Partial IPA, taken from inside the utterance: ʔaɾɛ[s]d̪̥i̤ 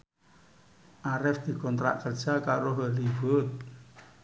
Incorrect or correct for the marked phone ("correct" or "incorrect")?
incorrect